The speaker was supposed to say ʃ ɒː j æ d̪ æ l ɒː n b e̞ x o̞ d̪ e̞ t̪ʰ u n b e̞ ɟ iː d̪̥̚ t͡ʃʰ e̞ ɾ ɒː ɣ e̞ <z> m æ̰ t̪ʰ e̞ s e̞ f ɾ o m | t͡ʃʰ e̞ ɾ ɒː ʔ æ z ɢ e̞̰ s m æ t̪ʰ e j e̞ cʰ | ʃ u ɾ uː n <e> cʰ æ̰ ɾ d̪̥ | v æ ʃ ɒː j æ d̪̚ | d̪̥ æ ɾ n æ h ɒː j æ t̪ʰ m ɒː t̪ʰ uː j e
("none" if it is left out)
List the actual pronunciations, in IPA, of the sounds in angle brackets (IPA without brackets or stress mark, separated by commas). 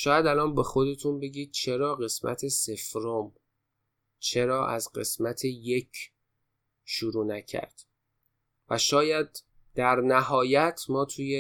s, æ